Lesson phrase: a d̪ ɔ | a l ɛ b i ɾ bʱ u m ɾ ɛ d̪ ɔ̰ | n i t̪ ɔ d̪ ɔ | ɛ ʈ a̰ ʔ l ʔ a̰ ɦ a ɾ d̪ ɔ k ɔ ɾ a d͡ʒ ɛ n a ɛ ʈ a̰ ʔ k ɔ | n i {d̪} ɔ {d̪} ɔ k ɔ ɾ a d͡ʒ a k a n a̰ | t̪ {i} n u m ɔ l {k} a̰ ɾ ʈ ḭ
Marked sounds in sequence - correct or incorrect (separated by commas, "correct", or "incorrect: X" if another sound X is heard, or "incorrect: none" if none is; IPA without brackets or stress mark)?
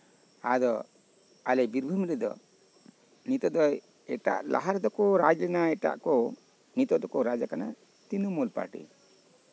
incorrect: t̪, correct, correct, incorrect: p